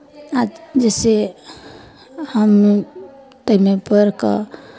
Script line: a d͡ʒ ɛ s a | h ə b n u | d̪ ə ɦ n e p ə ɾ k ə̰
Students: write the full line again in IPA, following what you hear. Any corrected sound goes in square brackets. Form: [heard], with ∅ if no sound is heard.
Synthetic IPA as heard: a d͡ʒ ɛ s [e] | h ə [m] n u | [t̪] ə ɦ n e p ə ɾ k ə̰